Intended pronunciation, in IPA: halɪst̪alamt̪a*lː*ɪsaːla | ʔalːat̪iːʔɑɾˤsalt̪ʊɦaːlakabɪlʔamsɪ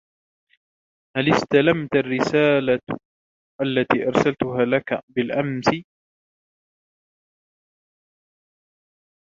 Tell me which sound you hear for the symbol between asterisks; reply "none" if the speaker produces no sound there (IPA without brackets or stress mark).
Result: rː